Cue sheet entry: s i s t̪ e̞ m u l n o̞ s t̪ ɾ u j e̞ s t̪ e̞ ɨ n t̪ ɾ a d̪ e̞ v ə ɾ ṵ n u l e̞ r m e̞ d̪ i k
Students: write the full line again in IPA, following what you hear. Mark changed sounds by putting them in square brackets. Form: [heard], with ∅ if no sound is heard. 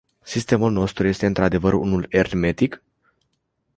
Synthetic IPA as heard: s i s t̪ e̞ m u l n o̞ s t̪ ɾ u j e̞ s t̪ e̞ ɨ n t̪ ɾ a d̪ e̞ v ə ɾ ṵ n u l e̞ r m e̞ [t̪] i k